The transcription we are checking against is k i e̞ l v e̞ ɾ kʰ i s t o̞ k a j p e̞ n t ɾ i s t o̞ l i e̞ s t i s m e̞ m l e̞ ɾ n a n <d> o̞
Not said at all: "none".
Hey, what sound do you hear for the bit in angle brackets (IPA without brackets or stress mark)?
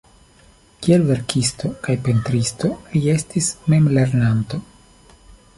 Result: t